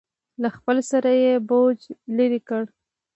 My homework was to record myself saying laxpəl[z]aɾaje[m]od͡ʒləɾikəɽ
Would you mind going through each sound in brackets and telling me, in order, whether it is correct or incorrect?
incorrect: s, incorrect: b

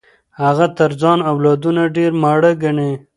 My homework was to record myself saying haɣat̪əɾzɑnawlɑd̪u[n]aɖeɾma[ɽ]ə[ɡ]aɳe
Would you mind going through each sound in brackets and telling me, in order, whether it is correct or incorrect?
correct, correct, correct

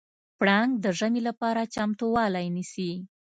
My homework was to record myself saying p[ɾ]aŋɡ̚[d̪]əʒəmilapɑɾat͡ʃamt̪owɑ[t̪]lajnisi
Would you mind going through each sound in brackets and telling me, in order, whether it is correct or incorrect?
incorrect: ɽ, correct, incorrect: none

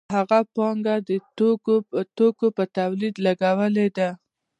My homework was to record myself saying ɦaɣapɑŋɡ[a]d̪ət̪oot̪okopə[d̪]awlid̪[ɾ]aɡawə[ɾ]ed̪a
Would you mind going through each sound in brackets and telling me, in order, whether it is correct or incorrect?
correct, incorrect: t̪, incorrect: l, incorrect: l

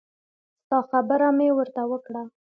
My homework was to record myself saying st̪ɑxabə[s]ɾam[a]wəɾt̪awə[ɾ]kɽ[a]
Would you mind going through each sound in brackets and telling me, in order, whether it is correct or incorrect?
incorrect: none, incorrect: e, incorrect: none, correct

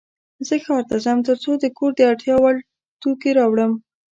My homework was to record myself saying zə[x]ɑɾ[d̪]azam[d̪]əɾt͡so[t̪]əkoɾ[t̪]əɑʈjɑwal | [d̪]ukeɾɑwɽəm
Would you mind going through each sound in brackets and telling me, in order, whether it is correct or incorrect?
correct, incorrect: t̪, incorrect: t̪, incorrect: d̪, incorrect: d̪, incorrect: t̪

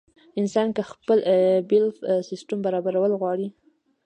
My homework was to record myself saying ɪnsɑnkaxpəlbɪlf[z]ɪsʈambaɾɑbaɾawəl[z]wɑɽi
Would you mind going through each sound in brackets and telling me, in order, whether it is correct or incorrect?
incorrect: s, incorrect: ɣ

